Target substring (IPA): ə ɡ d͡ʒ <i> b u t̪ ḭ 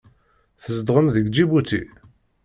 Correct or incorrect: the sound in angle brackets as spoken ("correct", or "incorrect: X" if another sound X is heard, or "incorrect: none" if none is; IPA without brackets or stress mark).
correct